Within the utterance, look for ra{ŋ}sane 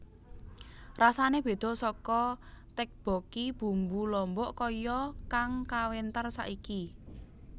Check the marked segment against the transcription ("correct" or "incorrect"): incorrect